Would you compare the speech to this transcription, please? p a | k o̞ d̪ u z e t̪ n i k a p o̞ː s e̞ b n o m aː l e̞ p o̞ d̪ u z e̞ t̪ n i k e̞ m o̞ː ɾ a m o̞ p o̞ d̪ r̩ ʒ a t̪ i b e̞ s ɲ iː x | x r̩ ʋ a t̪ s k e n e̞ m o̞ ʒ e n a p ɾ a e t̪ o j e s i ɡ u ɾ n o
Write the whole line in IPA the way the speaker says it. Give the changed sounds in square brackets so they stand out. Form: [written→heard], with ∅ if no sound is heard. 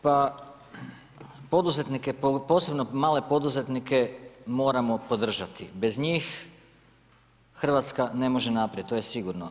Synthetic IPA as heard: p a | [k→p] o̞ d̪ u z e t̪ n i k [a→e] p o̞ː s e̞ b n o m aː l e̞ p o̞ d̪ u z e̞ t̪ n i k e̞ m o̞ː ɾ a m o̞ p o̞ d̪ r̩ ʒ a t̪ i b e̞ [s→z] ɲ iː x | x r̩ ʋ a t̪ s k [e→a] n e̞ m o̞ ʒ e n a p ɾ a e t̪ o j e s i ɡ u ɾ n o